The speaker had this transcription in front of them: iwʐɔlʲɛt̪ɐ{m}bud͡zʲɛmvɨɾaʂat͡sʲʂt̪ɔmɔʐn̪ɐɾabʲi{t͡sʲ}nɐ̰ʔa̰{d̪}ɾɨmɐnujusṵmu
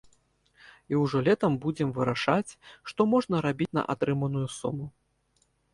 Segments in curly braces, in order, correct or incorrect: correct, correct, incorrect

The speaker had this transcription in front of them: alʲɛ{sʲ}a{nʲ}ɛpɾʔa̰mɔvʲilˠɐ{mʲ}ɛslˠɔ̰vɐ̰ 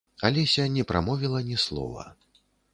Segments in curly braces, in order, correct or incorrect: correct, correct, incorrect

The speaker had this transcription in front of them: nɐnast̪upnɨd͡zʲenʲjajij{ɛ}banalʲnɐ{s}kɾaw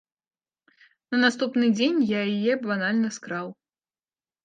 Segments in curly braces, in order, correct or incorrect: correct, correct

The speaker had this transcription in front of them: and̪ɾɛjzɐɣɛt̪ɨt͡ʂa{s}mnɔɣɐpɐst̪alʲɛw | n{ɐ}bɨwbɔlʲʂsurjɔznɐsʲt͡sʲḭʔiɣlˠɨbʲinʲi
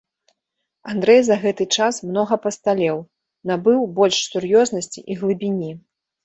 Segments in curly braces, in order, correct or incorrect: correct, incorrect

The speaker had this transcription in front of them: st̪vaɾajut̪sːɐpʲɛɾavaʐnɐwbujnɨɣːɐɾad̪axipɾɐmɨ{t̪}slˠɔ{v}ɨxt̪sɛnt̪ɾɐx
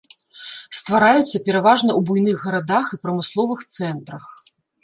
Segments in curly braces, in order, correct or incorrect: incorrect, correct

